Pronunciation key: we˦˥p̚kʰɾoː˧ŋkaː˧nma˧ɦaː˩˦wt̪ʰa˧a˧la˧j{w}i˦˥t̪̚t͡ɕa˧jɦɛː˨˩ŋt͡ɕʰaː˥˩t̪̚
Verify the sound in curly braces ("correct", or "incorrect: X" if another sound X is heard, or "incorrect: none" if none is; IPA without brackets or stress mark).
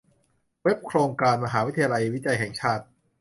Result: correct